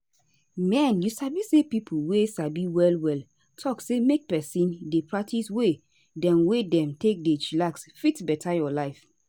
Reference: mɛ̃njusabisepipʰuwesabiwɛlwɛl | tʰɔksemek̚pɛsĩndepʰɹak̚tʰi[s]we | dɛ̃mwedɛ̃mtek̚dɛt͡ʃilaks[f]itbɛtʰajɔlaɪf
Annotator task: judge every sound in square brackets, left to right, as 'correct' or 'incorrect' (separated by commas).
correct, correct